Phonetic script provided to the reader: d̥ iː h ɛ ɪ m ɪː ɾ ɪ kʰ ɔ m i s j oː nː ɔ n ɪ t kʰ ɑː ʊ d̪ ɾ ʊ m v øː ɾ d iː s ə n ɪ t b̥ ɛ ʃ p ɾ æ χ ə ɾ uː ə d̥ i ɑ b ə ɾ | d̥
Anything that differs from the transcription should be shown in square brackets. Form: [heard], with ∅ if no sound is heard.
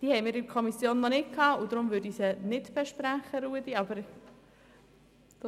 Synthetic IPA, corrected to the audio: d̥ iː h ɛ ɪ m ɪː ɾ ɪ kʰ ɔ m i s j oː nː ɔ n ɪ t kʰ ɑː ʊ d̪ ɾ ʊ m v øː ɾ d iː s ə n ɪ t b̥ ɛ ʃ p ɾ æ χ ə ɾ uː ə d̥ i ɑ b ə ɾ | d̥